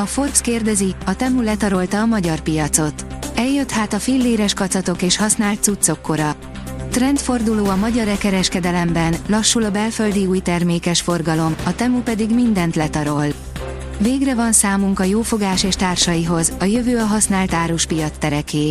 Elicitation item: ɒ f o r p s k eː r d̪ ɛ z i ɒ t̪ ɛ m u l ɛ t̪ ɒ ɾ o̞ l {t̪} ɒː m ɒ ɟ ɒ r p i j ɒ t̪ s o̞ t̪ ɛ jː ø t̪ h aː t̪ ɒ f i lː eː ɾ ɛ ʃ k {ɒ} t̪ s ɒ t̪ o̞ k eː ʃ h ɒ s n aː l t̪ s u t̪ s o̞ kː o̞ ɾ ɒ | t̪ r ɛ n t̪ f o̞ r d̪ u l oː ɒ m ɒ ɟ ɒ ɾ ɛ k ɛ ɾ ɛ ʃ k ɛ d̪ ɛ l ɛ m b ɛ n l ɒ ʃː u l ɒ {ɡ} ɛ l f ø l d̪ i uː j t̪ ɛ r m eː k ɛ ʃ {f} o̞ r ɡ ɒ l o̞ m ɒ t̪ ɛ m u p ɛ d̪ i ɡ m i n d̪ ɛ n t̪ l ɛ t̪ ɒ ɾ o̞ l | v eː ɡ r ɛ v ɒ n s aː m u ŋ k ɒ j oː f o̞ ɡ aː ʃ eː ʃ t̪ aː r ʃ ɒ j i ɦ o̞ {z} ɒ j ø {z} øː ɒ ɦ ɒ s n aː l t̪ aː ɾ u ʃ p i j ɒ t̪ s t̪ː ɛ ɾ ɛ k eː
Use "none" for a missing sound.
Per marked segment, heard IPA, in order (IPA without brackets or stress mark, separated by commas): t̪, ɒ, b, f, z, v